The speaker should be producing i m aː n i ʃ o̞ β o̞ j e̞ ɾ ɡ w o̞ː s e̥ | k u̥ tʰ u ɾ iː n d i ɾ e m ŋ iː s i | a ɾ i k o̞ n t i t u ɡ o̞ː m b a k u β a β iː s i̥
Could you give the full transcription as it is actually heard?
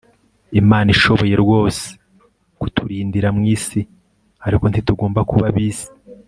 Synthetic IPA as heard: i m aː n i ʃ o̞ β o̞ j e̞ ɾ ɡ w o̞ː s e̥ | k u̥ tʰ u ɾ iː n d i ɾ a m ŋ iː s i | a ɾ i k o̞ n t i t u ɡ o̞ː m b a k u β a β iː s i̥